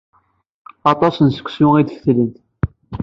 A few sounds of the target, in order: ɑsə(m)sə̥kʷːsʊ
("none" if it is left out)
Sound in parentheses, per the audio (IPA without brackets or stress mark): n